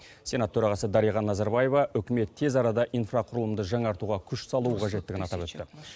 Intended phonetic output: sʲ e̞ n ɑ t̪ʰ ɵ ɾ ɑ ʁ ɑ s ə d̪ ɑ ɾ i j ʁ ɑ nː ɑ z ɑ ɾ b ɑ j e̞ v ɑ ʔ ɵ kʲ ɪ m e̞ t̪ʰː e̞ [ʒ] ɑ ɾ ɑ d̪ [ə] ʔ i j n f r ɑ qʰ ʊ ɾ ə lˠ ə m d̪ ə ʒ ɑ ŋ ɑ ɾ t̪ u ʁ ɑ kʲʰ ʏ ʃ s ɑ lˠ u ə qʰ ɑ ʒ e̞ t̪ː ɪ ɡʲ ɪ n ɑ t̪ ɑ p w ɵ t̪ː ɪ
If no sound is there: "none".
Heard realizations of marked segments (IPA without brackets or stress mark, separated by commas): z, ɑ